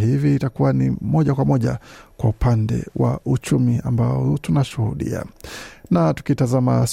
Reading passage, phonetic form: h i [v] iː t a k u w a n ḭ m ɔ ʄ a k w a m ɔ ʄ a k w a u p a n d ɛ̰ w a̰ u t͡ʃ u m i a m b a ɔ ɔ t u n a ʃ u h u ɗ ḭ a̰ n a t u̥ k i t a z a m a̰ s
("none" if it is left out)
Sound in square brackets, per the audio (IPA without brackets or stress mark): v